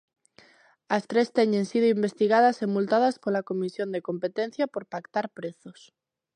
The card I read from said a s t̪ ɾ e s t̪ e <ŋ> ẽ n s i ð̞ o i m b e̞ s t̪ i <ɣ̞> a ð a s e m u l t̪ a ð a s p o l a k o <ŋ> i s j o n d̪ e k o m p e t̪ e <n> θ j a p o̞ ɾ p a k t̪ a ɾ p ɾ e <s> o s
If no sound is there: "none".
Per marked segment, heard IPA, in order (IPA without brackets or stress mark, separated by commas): ɲ, ɣ̞, m, n, θ